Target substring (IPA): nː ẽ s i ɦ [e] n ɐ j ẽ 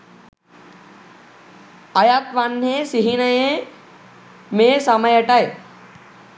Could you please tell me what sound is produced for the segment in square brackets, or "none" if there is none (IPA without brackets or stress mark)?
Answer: i